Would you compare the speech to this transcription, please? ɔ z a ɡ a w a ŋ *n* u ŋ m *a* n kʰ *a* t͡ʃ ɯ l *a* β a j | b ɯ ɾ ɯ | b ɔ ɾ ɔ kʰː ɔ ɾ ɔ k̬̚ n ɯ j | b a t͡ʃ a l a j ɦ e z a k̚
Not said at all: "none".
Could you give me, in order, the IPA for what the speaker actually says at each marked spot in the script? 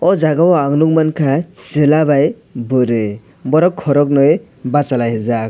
n, a, a, a

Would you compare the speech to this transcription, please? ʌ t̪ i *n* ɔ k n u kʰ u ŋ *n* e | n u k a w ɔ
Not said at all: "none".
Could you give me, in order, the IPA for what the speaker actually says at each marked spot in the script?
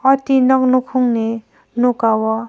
n, n

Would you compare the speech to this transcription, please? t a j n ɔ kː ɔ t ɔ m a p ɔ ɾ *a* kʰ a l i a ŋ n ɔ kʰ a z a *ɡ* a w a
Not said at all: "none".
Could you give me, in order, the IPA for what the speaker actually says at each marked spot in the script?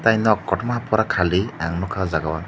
a, ɡ

